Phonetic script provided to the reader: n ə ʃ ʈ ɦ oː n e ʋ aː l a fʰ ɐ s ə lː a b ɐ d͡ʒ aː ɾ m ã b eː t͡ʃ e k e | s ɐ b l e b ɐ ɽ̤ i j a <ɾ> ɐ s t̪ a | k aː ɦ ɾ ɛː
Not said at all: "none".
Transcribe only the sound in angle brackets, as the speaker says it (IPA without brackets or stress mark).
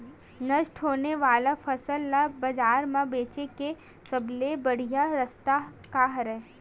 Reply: ɾ